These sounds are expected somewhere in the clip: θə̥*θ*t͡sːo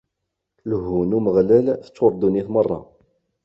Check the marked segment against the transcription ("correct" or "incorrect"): incorrect